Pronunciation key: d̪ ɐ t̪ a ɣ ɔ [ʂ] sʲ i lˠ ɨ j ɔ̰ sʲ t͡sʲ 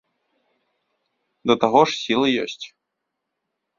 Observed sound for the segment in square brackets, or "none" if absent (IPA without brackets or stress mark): ʂ